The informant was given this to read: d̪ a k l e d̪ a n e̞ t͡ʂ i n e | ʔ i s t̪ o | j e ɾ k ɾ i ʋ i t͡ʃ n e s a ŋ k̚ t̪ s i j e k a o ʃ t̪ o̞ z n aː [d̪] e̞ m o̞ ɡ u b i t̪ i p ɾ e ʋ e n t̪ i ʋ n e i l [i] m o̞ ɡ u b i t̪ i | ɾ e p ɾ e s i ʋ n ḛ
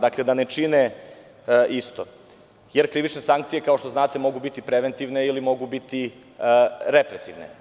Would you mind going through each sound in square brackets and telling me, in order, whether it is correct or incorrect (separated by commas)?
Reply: incorrect, correct